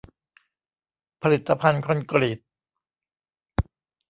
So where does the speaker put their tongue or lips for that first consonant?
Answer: lips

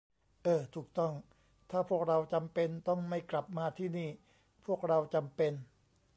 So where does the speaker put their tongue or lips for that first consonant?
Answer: throat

